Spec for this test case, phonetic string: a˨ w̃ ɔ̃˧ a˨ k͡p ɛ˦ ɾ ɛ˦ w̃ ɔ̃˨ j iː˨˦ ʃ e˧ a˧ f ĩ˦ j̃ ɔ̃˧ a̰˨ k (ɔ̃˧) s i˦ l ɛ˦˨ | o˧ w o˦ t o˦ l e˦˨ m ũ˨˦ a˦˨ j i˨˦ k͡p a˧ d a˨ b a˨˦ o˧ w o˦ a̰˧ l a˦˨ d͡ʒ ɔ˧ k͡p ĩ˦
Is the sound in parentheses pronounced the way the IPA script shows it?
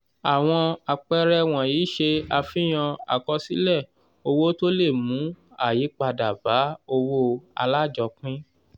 no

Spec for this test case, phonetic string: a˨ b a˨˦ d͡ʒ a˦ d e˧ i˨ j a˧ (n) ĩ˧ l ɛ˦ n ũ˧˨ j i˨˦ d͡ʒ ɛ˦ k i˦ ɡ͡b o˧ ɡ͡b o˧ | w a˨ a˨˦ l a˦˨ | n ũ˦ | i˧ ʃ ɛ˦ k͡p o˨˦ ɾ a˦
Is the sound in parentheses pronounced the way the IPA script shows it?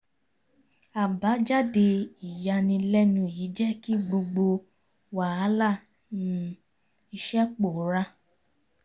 yes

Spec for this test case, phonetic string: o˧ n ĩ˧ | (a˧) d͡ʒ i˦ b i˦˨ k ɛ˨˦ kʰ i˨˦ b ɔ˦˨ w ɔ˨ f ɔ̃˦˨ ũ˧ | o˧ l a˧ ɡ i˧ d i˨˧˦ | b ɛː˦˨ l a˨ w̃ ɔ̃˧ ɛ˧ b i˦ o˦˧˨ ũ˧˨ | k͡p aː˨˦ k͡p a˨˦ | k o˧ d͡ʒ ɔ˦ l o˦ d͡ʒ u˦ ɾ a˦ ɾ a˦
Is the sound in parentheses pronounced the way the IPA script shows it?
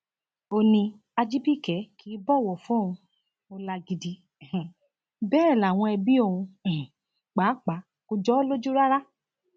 yes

